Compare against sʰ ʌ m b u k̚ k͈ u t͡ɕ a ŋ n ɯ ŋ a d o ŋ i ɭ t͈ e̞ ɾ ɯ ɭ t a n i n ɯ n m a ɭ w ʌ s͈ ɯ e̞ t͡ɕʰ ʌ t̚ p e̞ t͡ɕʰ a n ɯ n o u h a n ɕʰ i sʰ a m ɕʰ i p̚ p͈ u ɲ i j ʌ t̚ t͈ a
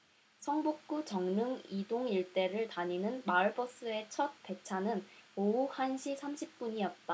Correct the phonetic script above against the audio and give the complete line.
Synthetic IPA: sʰ ʌ ŋ b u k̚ k͈ u t͡ɕ ʌ ŋ n ɯ ŋ i d o ŋ i ɭ t͈ e̞ ɾ ɯ ɭ t a ɲ i n ɯ n m a ɭ b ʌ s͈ ɯ e̞ t͡ɕʰ ʌ t̚ p e̞ t͡ɕʰ a n ɯ n o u h a n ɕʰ i sʰ a m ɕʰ i p̚ p͈ u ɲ i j ʌ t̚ t͈ a